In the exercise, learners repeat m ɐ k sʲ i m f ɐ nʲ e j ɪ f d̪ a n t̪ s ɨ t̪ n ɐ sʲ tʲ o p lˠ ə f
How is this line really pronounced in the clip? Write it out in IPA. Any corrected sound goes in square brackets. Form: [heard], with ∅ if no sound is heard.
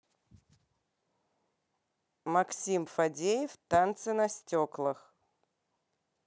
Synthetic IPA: m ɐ k sʲ i m f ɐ [dʲ] e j ɪ f [t̪] a n t̪ s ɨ [∅] n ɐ sʲ tʲ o [k] lˠ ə [x]

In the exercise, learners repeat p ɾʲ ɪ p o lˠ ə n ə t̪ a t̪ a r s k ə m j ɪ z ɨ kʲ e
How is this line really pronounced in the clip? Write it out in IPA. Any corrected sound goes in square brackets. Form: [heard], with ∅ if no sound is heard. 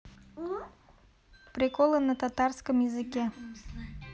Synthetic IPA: p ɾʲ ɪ [k] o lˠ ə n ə t̪ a t̪ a r s k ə m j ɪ z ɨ kʲ e

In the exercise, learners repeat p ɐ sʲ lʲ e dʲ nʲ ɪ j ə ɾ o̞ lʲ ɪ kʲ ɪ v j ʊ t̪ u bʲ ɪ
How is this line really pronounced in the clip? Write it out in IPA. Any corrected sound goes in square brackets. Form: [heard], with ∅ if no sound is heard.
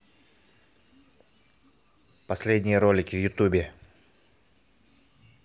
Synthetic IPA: p ɐ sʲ lʲ e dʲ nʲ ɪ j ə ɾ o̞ lʲ ɪ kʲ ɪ v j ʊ t̪ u bʲ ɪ

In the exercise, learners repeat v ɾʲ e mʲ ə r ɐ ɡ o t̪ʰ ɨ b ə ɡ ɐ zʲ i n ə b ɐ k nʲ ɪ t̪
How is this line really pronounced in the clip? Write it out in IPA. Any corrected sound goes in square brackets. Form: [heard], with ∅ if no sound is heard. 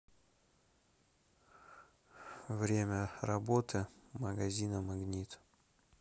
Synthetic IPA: v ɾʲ e mʲ ə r ɐ [b] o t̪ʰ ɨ [m] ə ɡ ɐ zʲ i n ə [m] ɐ [ɡ] nʲ [i] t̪

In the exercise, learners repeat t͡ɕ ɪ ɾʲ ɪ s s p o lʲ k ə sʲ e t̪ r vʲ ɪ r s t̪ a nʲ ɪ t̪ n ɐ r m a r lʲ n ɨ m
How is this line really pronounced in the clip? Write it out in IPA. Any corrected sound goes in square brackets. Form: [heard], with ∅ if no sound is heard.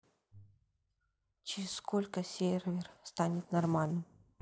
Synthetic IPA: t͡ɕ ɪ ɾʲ ɪ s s [k] o lʲ k ə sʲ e [∅] r vʲ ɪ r s t̪ a nʲ ɪ t̪ n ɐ r m a [∅] lʲ n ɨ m

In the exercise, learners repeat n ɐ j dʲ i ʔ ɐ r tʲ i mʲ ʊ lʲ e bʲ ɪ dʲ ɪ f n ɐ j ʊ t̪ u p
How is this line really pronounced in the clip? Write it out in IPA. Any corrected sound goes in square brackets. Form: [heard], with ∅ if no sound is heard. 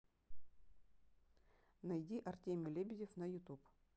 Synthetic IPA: n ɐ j dʲ i ʔ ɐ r tʲ [e] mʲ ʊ lʲ e bʲ ɪ dʲ ɪ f n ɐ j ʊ t̪ u p

